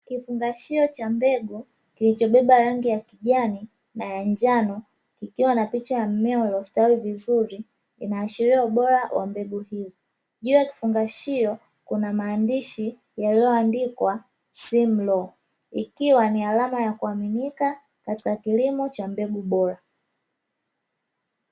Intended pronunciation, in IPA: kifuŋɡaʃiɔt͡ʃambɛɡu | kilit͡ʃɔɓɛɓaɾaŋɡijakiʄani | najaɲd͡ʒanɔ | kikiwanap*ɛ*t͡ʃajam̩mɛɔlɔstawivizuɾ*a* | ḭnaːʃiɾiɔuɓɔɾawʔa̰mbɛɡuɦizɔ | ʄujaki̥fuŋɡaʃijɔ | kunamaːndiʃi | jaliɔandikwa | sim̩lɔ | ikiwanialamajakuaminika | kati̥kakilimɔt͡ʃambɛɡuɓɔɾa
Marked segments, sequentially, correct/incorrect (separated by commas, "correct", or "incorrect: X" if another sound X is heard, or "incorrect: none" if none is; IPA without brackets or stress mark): incorrect: i, incorrect: i